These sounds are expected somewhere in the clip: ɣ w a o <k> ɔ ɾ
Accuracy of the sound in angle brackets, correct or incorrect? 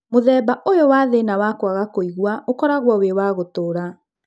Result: correct